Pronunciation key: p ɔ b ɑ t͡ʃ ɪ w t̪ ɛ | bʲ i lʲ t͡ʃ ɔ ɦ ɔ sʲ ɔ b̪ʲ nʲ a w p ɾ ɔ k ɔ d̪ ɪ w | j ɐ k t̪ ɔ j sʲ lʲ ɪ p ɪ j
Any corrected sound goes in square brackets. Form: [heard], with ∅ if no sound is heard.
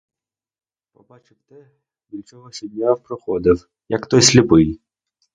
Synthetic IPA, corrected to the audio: p ɔ b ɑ t͡ʃ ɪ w t̪ ɛ | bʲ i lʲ t͡ʃ ɔ ɦ ɔ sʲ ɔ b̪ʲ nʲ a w p ɾ ɔ [x] ɔ d̪ ɪ w | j ɐ k t̪ ɔ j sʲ lʲ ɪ p ɪ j

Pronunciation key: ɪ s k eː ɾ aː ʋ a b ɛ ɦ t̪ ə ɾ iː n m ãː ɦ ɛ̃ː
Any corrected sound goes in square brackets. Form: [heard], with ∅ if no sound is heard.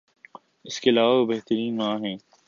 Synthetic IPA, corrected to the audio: ɪ s k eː [l] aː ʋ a b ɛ ɦ t̪ ə ɾ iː n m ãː ɦ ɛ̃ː

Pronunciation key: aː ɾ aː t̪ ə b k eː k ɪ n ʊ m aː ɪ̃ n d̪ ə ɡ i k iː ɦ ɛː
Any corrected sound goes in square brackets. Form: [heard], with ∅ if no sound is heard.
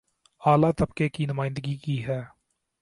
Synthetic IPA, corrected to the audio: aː [l] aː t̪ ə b k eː k [i] n ʊ m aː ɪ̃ n d̪ ə ɡ i k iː ɦ ɛː

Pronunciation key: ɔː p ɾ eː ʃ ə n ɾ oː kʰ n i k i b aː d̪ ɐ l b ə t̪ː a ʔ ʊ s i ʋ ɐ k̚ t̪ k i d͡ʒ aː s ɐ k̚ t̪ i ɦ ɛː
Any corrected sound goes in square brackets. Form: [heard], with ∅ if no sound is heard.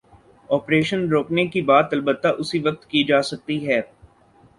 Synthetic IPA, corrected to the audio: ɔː p ɾ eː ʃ ə n ɾ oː [k] n [e] k i b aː [t̪] ɐ l b ə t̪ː a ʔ ʊ s i ʋ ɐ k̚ t̪ k i d͡ʒ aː s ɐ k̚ t̪ i ɦ ɛː

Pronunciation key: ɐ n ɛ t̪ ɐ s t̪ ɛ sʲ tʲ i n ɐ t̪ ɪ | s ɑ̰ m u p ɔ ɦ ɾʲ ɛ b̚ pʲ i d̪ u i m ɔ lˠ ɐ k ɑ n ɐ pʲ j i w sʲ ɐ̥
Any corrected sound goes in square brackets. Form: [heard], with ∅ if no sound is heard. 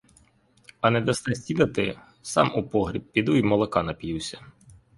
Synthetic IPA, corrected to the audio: ɐ n ɛ [d̪] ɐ s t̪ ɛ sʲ tʲ i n ɐ t̪ ɪ | s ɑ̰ m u p ɔ ɦ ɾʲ [i] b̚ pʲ i d̪ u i m ɔ lˠ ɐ k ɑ n ɐ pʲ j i w sʲ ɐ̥

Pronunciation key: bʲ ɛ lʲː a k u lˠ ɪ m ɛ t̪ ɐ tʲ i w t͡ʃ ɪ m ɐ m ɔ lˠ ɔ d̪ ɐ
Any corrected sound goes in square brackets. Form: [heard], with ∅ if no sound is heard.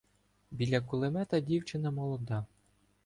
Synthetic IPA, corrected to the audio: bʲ [i] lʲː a k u lˠ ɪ m ɛ t̪ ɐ [dʲ] i w t͡ʃ ɪ [n] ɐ m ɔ lˠ ɔ d̪ [ɑ]

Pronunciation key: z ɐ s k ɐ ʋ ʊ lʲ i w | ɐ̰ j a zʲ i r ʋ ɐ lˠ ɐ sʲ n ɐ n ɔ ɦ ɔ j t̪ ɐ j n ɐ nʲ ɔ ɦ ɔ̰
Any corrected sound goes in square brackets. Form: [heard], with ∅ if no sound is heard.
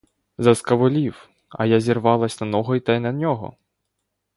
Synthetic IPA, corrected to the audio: z ɐ s k ɐ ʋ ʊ lʲ i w | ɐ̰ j a zʲ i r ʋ [ɑ] lˠ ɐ sʲ n ɐ n ɔ ɦ ɔ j t̪ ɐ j n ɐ nʲ ɔ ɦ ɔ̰

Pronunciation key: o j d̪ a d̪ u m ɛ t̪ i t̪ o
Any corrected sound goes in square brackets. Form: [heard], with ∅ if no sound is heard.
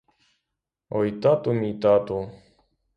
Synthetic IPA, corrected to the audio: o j [t̪] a [t̪] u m [i] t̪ [a] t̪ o

